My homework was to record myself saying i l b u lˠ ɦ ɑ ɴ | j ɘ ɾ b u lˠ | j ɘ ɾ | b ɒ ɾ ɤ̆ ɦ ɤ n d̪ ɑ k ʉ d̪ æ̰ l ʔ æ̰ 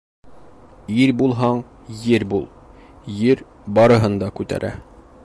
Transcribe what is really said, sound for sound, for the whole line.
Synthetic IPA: i ɾ b u lˠ ɦ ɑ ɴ | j ɘ ɾ b u lˠ | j ɘ ɾ | b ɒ ɾ ɤ̆ ɦ ɤ n d̪ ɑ k ʉ t̪ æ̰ ɾ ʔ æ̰